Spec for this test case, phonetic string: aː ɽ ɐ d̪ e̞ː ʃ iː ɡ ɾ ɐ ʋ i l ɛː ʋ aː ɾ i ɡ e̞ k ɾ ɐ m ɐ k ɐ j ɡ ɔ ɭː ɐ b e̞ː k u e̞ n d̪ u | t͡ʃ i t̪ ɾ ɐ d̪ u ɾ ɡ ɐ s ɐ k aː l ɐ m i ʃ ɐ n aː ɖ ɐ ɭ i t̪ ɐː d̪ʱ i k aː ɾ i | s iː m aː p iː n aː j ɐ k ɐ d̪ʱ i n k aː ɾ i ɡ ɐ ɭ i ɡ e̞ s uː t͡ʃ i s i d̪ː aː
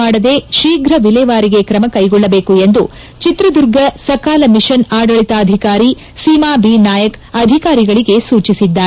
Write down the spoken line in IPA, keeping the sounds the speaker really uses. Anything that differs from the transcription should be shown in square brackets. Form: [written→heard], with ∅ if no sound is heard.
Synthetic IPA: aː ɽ ɐ d̪ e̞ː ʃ iː ɡ ɾ ɐ ʋ i l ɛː ʋ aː ɾ i ɡ e̞ k ɾ ɐ m ɐ k ɐ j ɡ ɔ ɭː ɐ b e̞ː k u e̞ n d̪ u | t͡ʃ i t̪ ɾ ɐ d̪ u ɾ ɡ ɐ s ɐ k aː l ɐ m i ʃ ɐ n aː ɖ ɐ ɭ i t̪ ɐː d̪ʱ i k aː ɾ i | s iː m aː [p→b] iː n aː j ɐ k ɐ d̪ʱ i [n→∅] k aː ɾ i ɡ ɐ ɭ i ɡ e̞ s uː t͡ʃ i s i d̪ː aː

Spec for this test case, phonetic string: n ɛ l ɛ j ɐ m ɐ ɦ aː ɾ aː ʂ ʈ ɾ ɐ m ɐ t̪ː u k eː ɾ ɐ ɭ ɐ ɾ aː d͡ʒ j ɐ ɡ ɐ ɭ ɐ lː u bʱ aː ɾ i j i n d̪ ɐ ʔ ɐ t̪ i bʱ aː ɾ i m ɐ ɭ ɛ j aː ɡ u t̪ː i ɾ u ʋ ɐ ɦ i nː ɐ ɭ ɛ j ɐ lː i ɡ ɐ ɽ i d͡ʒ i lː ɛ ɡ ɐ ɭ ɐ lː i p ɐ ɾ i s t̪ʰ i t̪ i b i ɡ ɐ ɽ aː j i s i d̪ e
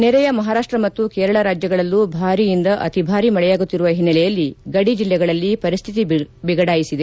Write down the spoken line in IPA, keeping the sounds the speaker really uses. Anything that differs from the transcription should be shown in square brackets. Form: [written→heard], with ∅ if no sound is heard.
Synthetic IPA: n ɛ [l→ɾ] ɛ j ɐ m ɐ ɦ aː ɾ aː ʂ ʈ ɾ ɐ m ɐ t̪ː u k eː ɾ ɐ ɭ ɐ ɾ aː d͡ʒ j ɐ ɡ ɐ ɭ ɐ lː u bʱ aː ɾ i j i n d̪ ɐ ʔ ɐ t̪ i bʱ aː ɾ i m ɐ ɭ ɛ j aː ɡ u t̪ː i ɾ u ʋ ɐ ɦ i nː ɐ [ɭ→l] ɛ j ɐ lː i ɡ ɐ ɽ i d͡ʒ i lː ɛ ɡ ɐ ɭ ɐ lː i p ɐ ɾ i s t̪ʰ i t̪ i b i ɡ ɐ ɽ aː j i s i d̪ e

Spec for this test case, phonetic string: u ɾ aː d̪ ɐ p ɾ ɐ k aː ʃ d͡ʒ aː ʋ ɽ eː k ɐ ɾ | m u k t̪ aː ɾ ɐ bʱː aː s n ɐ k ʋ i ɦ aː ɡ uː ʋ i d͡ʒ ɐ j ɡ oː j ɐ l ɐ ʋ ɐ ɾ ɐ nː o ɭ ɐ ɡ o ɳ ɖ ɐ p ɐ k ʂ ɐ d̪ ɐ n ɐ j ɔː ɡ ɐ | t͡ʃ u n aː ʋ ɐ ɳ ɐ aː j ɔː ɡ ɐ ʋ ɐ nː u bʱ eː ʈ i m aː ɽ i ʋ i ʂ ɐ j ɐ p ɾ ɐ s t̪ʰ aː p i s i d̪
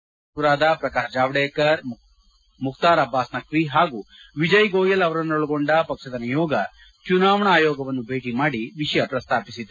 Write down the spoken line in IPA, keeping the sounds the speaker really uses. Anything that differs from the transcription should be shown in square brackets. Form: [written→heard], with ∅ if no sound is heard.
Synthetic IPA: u ɾ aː d̪ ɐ p ɾ ɐ k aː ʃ d͡ʒ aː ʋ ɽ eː k ɐ ɾ | m u k t̪ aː ɾ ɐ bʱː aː s n ɐ k ʋ i ɦ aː ɡ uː ʋ i d͡ʒ ɐ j ɡ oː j ɐ l ɐ ʋ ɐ ɾ ɐ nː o ɭ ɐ ɡ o ɳ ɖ ɐ p ɐ k ʂ ɐ d̪ ɐ n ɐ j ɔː ɡ ɐ | t͡ʃ u n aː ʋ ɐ ɳ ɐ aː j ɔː ɡ ɐ ʋ ɐ nː u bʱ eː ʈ i m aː ɽ i ʋ i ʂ ɐ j ɐ p ɾ ɐ s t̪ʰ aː p i s i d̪

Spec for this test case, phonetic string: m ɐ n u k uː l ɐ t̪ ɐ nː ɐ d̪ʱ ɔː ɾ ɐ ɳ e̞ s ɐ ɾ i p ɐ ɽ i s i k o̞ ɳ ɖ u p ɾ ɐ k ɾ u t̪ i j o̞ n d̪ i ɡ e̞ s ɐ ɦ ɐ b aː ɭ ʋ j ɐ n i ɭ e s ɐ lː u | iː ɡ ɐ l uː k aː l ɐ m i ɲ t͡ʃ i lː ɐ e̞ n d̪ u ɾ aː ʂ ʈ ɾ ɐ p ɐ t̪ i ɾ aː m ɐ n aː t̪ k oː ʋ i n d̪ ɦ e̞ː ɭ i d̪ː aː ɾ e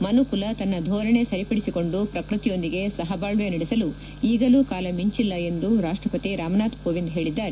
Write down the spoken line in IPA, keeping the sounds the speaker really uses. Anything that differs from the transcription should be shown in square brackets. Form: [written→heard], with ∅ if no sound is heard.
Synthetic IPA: m ɐ n u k [uː→u] l ɐ t̪ ɐ nː ɐ d̪ʱ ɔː ɾ ɐ ɳ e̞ s ɐ ɾ i p ɐ ɽ i s i k o̞ ɳ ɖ u p ɾ ɐ k ɾ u t̪ i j o̞ n d̪ i ɡ e̞ s ɐ ɦ ɐ b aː ɭ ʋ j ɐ n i [ɭ→ɽ] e s ɐ [lː→l] u | iː ɡ ɐ l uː k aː l ɐ m i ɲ t͡ʃ i lː ɐ e̞ n d̪ u ɾ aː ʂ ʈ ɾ ɐ p ɐ t̪ i ɾ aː m ɐ n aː t̪ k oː ʋ i n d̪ ɦ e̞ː ɭ i d̪ː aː ɾ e

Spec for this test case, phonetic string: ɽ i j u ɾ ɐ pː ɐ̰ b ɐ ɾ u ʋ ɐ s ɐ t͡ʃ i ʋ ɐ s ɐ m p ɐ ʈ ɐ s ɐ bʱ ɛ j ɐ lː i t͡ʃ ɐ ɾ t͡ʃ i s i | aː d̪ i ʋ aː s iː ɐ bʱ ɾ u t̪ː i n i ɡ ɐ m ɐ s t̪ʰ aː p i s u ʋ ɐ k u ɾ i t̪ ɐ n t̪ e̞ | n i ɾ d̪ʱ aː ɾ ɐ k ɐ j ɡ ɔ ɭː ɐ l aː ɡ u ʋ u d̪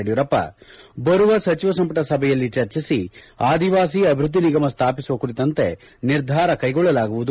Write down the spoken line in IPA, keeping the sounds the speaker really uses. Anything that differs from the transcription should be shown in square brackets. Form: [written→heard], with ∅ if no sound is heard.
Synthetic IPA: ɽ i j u ɾ ɐ pː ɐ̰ b ɐ ɾ u ʋ ɐ s ɐ t͡ʃ i ʋ ɐ s ɐ m p ɐ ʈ ɐ s ɐ bʱ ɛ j ɐ lː i t͡ʃ ɐ ɾ t͡ʃ i s i | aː d̪ i ʋ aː s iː ɐ bʱ ɾ u [t̪ː→d̪ː] i n i ɡ ɐ m ɐ s t̪ʰ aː p i s u ʋ ɐ k u ɾ i t̪ ɐ n t̪ e̞ | n i ɾ d̪ʱ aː ɾ ɐ k ɐ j ɡ ɔ ɭː ɐ l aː ɡ u ʋ u d̪

